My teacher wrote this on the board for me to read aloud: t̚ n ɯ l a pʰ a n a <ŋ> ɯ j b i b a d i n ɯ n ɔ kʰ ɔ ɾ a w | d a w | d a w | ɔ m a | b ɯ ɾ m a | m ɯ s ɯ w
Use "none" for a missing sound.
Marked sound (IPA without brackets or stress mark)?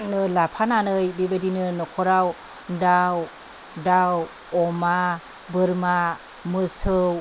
n